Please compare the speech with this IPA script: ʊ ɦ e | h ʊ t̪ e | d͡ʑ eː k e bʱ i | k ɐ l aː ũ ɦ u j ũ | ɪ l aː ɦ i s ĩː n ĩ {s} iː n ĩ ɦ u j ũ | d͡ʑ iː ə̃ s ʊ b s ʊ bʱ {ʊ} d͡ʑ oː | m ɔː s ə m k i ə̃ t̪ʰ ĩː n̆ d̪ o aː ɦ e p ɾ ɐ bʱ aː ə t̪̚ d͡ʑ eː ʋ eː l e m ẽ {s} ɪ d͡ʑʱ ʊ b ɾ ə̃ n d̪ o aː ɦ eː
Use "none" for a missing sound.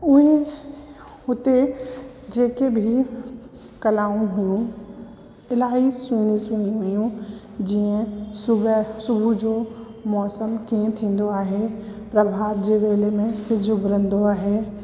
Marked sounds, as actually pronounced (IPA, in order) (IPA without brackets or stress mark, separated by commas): s, u, s